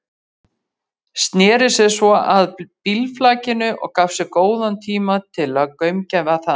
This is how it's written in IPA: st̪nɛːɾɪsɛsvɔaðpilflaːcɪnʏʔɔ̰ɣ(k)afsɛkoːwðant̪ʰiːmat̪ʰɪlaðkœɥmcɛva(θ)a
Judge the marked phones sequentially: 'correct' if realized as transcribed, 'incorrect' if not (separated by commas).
correct, correct